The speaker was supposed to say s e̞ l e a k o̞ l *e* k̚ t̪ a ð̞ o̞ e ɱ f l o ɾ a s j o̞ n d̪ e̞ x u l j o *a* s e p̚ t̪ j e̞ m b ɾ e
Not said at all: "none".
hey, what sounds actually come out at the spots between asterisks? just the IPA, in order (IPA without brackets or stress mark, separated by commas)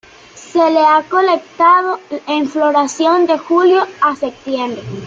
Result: e, a